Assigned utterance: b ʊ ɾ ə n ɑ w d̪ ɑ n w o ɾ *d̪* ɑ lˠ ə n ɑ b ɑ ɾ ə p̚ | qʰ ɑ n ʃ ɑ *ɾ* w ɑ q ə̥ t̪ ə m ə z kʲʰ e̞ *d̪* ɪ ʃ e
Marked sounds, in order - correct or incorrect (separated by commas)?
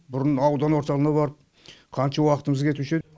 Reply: incorrect, incorrect, incorrect